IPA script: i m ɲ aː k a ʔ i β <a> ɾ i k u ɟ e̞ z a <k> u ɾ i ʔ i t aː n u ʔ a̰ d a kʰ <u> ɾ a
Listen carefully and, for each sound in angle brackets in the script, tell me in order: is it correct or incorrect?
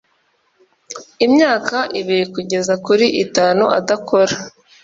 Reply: incorrect: i, correct, incorrect: o

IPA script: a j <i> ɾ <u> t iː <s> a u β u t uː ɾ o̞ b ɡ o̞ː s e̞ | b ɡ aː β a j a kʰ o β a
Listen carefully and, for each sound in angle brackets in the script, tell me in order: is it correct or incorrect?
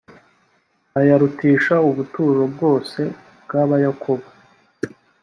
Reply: incorrect: a, correct, incorrect: ʃ

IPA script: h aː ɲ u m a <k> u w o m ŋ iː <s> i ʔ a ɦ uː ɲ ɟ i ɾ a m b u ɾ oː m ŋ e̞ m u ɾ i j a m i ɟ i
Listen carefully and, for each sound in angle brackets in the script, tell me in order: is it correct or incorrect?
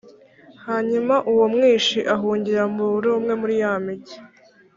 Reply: incorrect: ʔ, incorrect: ʃ

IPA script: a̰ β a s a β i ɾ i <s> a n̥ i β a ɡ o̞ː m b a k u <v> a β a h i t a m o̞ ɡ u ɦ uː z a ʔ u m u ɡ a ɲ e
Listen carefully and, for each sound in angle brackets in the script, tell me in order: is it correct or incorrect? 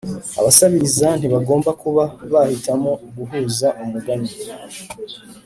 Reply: incorrect: z, incorrect: β

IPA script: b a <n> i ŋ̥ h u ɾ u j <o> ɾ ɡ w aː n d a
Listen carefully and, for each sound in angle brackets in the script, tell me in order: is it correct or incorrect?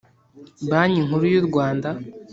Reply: incorrect: ɲ, incorrect: u

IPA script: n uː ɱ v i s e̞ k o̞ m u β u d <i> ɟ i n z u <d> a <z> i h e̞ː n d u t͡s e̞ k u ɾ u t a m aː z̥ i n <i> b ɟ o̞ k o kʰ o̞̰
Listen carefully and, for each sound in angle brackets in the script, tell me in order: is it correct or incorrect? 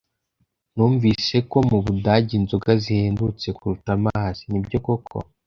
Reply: incorrect: a, incorrect: ɡ, correct, correct

